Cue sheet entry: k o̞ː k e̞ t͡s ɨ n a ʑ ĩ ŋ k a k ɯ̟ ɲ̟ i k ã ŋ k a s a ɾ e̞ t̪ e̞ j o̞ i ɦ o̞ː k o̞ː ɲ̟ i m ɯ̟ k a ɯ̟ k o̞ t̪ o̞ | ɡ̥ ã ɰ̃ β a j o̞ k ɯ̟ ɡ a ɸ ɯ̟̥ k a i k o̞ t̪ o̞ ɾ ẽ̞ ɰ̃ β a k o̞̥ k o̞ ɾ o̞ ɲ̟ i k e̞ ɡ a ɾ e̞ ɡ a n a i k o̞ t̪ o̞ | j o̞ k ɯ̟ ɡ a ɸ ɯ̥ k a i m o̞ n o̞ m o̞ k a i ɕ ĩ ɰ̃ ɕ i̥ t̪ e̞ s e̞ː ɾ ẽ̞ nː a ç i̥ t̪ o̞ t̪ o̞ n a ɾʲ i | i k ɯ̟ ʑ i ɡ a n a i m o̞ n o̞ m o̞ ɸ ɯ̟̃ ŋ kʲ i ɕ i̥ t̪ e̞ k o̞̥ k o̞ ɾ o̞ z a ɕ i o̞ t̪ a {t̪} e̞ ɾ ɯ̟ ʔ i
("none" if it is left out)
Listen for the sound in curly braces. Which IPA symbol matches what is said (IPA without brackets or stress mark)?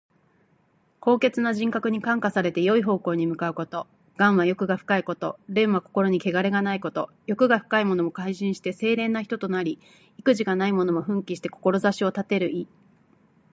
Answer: t̪